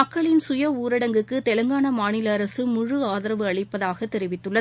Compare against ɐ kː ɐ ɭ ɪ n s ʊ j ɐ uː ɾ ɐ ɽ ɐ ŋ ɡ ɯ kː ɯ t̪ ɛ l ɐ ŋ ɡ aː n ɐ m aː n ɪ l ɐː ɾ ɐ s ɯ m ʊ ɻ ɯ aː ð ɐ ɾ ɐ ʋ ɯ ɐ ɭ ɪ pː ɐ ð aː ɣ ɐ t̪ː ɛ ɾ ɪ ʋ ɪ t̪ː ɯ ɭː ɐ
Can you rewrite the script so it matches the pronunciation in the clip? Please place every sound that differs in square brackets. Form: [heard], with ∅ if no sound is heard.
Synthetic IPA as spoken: ɐ kː ɐ ɭ ɪ n s ʊ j ɐ uː ɾ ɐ ɽ ɐ ŋ ɡ ɯ kː ɯ t̪ ɛ l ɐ ŋ ɡ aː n ɐ m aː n ɪ l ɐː ɾ ɐ s ɯ m ʊ ɻ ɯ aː ð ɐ ɾ ɐ ʋ ɯ ɐ ɭ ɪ pː ɐ ð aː ɣ ɐ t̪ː ɛ ɾ ɪ ʋ ɪ t̪ː ɯ ɭː ɐ